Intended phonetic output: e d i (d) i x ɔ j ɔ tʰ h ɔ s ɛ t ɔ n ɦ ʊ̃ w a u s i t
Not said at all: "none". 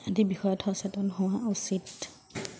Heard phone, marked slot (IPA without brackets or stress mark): b